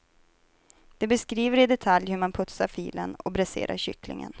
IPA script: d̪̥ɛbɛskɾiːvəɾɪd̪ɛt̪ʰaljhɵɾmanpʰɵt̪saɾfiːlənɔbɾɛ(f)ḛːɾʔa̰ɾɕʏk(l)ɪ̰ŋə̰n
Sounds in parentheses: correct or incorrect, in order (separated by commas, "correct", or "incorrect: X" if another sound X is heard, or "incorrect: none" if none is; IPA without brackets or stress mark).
incorrect: s, correct